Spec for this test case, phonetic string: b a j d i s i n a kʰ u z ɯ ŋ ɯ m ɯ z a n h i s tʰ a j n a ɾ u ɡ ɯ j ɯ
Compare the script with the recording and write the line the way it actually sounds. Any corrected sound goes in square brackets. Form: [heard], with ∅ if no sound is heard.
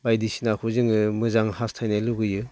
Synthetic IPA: b a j d i s i n a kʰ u z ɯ ŋ ɯ m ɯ z a [ŋ] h [a] s tʰ a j n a [l] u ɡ ɯ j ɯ